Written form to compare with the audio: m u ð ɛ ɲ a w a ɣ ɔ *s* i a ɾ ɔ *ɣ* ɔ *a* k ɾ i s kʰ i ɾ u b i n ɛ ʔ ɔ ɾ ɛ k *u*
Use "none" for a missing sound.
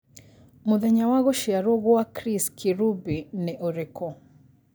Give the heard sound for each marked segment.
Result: ʃ, ɣ, a, ɔ

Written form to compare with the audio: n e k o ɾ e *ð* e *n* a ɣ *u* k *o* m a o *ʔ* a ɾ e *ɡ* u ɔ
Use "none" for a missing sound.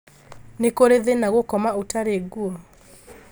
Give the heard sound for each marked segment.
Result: ð, n, o, ɔ, t, ɡ

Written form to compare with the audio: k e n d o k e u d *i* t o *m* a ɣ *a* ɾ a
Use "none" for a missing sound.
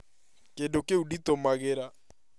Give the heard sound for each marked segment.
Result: i, m, e

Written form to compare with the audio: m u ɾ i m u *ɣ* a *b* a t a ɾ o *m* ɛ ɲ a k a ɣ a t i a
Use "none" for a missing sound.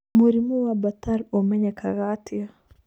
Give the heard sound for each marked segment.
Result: w, b, m

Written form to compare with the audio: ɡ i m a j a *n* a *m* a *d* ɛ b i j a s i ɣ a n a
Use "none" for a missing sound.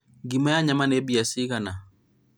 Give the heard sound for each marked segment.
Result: ɲ, m, n

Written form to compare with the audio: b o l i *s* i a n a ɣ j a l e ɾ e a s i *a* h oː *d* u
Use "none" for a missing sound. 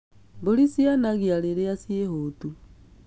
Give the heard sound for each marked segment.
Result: s, e, t

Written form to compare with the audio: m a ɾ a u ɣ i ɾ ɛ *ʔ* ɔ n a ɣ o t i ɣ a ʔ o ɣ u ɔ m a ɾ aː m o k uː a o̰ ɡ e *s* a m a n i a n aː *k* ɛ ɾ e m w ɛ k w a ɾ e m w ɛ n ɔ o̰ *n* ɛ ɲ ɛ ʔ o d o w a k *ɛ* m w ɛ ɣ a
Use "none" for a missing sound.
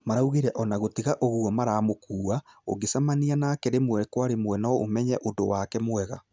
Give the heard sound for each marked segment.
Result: ʔ, s, k, m, ɛ

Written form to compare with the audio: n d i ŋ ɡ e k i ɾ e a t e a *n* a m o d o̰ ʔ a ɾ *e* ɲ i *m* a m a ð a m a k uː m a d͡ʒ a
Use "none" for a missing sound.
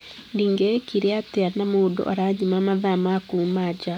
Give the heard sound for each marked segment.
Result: n, a, m

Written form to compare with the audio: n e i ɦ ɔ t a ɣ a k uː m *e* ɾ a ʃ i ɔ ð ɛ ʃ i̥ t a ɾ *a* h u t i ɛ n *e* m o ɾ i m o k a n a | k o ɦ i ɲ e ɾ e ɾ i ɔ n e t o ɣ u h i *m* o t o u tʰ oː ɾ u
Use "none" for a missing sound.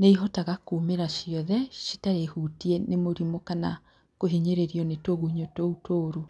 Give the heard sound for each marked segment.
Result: e, e, e, ɲ

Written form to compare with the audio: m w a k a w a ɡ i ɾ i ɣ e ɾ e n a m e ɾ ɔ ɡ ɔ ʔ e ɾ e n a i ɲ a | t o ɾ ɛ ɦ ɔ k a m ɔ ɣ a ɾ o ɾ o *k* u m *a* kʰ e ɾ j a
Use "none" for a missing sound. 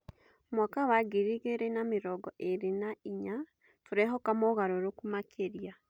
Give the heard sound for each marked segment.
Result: k, a

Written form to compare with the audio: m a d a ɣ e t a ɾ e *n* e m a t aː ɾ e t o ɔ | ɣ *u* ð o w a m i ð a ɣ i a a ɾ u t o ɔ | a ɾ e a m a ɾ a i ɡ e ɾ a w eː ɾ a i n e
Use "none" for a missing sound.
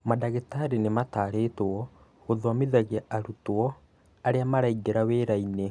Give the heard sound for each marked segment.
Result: n, o

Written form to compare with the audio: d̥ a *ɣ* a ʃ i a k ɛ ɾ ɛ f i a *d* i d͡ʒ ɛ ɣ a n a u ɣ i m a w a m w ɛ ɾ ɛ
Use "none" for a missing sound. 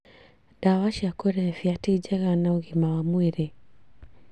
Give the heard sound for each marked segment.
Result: w, t

